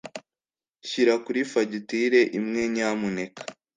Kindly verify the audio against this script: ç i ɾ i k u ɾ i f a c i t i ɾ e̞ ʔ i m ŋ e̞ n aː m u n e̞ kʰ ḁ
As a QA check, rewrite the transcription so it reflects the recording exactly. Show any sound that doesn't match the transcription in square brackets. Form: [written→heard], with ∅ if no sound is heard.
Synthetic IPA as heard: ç i ɾ [i→a] k u ɾ i f a [c→ɟ] i t i ɾ e̞ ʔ i m ŋ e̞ [n→ɲ] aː m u n e̞ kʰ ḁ